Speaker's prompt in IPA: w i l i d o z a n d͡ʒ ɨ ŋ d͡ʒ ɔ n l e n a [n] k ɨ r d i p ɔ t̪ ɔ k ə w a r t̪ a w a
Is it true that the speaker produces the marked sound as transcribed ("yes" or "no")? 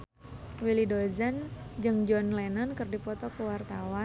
yes